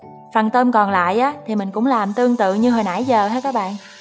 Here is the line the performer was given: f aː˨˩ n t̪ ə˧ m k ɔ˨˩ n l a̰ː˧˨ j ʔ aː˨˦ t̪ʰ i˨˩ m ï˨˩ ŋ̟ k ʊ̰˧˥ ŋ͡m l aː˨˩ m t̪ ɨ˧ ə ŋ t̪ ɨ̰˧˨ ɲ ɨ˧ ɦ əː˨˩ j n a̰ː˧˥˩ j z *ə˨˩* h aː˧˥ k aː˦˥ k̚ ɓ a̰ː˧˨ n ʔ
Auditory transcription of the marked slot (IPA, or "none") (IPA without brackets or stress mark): əː˨˩